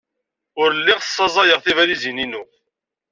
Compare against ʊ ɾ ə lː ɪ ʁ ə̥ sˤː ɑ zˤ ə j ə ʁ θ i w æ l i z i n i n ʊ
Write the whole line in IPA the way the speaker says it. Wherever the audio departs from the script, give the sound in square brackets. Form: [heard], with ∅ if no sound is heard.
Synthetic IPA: ʊ ɾ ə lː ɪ ʁ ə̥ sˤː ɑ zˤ [ɑ] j ə ʁ θ i [v] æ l i z i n i n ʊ